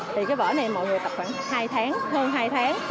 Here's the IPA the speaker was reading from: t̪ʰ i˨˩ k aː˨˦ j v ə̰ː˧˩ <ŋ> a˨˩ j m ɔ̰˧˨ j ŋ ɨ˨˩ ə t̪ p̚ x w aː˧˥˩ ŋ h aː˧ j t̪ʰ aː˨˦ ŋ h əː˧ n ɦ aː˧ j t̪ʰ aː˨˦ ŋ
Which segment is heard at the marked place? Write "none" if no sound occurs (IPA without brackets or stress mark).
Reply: n